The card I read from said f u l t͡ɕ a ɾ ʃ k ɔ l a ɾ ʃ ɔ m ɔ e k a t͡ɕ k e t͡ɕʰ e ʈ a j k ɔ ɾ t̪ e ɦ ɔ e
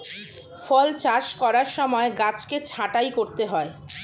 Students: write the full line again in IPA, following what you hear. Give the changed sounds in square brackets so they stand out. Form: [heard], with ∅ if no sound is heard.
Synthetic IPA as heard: f [ɔ] l t͡ɕ a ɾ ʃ k ɔ [ɾ] a ɾ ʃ ɔ m ɔ e [ɡ] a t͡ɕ k e t͡ɕʰ [a] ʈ a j k [o] ɾ t̪ e ɦ ɔ e